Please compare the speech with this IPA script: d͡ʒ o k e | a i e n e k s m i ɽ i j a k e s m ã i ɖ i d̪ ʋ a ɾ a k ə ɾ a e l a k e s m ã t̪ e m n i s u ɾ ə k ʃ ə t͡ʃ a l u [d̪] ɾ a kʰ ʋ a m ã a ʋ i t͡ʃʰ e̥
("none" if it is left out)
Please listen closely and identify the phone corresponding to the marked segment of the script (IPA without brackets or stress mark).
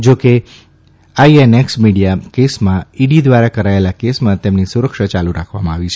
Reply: none